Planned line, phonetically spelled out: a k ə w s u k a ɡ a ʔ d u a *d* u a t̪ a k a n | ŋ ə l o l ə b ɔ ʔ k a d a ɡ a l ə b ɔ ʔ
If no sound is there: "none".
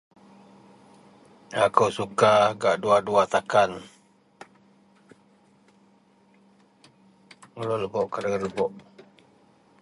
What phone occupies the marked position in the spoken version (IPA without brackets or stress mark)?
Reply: d